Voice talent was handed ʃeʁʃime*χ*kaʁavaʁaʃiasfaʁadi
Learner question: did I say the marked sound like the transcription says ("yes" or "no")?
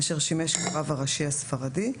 no